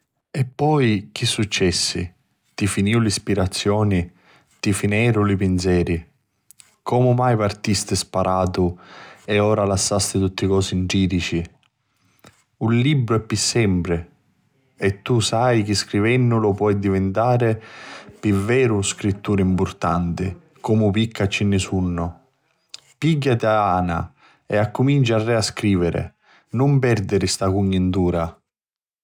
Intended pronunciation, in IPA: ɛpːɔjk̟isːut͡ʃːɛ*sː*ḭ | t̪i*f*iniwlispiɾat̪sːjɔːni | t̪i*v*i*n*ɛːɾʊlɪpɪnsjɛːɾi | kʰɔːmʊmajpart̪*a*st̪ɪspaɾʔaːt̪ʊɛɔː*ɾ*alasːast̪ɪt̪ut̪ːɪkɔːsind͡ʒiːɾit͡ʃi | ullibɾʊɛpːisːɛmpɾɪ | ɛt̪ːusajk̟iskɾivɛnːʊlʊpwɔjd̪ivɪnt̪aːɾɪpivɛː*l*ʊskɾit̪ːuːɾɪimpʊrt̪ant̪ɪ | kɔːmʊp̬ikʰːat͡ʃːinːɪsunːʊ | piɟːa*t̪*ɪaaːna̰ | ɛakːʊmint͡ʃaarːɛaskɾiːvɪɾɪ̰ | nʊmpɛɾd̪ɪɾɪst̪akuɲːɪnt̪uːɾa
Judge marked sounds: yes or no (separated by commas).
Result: yes, yes, no, yes, no, yes, no, yes